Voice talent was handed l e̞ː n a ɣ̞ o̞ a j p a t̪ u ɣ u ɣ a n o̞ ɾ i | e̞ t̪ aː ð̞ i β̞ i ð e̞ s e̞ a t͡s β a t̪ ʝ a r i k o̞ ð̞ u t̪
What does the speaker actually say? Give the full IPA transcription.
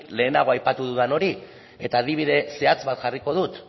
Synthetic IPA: l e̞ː n a ɣ̞ o̞ a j p a t̪ u ð u ð a n o̞ ɾ i | e̞ t̪ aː ð̞ i β̞ i ð e̞ s e̞ a t͡s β a t̪ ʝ a r i k o̞ ð̞ u t̪